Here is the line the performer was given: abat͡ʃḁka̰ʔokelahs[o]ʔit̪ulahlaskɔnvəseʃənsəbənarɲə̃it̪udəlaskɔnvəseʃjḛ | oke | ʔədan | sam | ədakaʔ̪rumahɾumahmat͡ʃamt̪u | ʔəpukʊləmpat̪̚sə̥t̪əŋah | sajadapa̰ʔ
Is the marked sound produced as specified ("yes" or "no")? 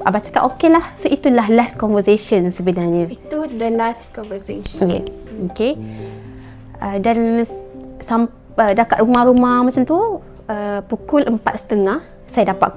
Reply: yes